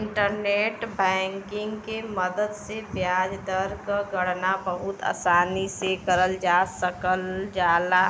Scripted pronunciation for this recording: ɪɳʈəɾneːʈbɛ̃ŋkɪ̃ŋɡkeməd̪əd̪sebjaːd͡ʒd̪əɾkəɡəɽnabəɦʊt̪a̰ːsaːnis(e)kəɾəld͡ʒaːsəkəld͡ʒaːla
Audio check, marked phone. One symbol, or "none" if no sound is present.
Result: e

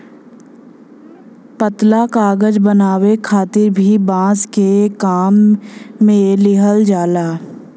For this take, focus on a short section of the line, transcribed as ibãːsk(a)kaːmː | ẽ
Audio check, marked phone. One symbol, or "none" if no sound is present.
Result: e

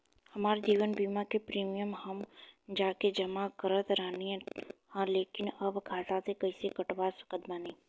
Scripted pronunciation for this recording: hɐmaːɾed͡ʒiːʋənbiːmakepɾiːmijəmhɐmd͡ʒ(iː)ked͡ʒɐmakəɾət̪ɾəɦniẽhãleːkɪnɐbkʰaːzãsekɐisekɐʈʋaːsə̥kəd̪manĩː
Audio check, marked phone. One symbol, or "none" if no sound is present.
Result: aː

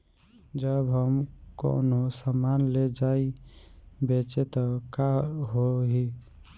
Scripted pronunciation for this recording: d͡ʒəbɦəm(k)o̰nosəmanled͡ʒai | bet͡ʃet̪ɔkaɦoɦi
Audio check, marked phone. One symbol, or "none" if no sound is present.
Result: k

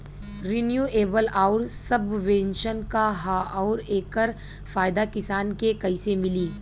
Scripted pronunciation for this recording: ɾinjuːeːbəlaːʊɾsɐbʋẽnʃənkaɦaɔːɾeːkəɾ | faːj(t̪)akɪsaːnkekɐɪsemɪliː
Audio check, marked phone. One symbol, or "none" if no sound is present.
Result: d̪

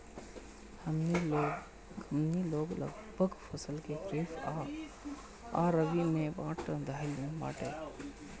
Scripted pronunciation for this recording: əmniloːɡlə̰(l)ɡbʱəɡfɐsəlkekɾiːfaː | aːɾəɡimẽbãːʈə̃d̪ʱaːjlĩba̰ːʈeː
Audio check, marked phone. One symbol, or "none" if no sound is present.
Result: none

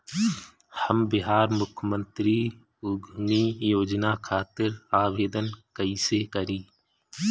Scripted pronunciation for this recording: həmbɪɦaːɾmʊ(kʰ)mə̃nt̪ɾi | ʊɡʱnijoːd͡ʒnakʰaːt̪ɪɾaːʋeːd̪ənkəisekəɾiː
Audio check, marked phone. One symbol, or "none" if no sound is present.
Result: kʰ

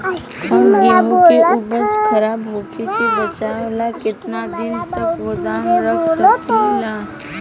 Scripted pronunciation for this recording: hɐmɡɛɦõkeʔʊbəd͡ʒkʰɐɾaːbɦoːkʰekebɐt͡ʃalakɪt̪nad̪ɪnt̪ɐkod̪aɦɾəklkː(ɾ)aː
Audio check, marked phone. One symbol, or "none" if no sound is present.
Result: l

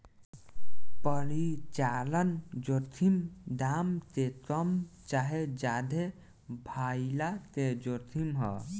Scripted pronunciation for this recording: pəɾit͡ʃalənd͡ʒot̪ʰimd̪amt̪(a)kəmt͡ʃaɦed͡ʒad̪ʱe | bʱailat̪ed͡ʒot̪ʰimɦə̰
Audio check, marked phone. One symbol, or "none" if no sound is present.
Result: e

